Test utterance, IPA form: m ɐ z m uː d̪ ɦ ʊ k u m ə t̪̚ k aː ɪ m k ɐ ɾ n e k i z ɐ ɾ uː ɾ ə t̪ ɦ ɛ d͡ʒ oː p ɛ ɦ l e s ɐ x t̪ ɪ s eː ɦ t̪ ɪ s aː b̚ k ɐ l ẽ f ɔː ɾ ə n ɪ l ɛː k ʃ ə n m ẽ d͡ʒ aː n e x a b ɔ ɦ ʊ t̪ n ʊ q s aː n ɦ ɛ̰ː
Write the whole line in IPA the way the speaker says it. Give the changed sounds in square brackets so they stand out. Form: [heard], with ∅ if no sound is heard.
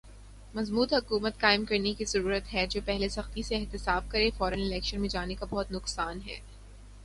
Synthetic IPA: m ɐ z m uː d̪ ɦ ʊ k [uː] m ə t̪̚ k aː ɪ m k ɐ ɾ n e k i z ɐ ɾ uː ɾ ə t̪ ɦ ɛ d͡ʒ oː p ɛ ɦ l e s ɐ x t̪ [i] s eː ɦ t̪ ɪ s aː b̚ k ɐ [ɾ] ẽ f ɔː ɾ ə n ɪ l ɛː k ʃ ə n m ẽ d͡ʒ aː n e [k] a b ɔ ɦ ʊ t̪ n ʊ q s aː n ɦ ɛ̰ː